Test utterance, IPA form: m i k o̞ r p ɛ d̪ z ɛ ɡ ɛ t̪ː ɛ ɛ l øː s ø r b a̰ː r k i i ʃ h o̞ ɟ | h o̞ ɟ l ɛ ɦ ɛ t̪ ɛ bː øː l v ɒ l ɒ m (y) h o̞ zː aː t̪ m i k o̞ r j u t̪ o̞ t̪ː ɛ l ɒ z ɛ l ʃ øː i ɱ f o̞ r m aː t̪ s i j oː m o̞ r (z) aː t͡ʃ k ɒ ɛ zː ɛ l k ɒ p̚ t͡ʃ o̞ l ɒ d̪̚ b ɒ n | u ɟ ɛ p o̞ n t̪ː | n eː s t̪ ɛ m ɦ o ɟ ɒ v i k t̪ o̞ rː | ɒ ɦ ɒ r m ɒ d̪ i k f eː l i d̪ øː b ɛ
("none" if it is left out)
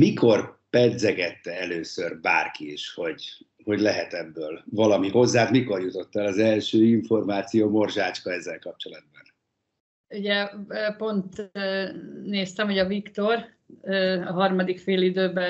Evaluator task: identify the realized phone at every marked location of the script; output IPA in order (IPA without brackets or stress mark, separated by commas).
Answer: i, ʒ